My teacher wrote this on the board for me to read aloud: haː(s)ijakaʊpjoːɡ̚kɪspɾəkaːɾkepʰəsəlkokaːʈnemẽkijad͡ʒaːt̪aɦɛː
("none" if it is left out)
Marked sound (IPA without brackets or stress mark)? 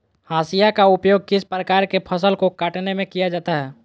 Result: s